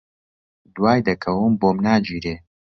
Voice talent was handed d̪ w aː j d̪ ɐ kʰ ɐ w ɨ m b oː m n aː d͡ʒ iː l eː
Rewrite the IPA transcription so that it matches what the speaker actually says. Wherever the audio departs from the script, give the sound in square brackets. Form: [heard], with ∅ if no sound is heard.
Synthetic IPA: d̪ w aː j d̪ ɐ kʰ ɐ w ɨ m b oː m n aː d͡ʒ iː [ɾ] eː